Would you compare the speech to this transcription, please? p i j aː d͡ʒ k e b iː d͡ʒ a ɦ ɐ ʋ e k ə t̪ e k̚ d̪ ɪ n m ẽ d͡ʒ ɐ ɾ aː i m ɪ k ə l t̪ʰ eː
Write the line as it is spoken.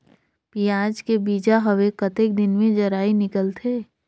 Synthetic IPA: p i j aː d͡ʒ k e b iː d͡ʒ a ɦ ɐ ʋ e k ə t̪ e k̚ d̪ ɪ n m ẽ d͡ʒ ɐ ɾ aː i n ɪ k ə l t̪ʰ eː